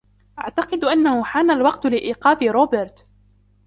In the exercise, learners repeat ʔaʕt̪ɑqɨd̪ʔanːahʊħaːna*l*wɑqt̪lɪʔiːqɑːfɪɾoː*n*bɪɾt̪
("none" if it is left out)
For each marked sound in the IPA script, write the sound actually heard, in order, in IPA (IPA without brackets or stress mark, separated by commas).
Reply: l, none